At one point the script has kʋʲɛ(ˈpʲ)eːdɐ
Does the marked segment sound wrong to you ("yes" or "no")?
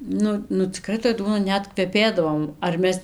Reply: no